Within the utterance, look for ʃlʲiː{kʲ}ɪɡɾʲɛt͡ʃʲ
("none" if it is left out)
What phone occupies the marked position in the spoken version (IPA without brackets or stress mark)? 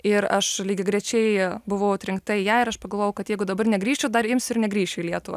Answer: ɡʲ